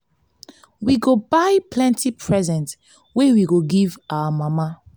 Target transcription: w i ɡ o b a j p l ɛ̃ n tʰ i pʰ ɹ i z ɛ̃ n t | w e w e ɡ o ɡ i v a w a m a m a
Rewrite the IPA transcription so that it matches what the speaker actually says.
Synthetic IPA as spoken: w i ɡ o b a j p l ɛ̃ n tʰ i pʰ ɹ ɛ z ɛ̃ n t | w e w i ɡ o ɡ i v a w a m a m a